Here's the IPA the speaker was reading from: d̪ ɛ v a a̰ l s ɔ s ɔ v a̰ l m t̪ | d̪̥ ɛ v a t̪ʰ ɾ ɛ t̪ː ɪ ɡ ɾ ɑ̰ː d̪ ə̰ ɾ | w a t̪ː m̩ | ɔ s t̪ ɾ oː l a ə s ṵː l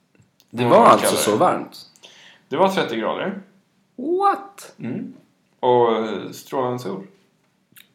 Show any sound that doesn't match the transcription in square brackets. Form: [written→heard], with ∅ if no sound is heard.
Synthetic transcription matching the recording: d̪ ɛ v a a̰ l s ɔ s ɔ v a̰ [l→ɾ] m t̪ | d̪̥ ɛ v a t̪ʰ ɾ ɛ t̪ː ɪ ɡ ɾ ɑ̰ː d̪ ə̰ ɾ | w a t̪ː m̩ | ɔ s t̪ ɾ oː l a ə s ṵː l